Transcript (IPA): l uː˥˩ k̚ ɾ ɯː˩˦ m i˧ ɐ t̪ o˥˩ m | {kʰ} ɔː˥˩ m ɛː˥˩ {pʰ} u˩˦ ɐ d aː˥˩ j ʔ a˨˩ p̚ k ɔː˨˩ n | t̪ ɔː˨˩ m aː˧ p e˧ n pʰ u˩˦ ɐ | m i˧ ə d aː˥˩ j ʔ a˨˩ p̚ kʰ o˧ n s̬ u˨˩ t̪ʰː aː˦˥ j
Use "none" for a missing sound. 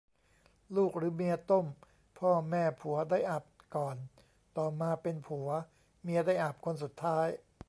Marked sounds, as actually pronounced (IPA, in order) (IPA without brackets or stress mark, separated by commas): pʰ, pʰ